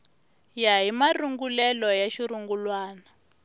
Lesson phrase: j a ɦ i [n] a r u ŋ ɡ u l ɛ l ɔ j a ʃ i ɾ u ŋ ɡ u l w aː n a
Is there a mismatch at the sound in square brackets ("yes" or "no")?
yes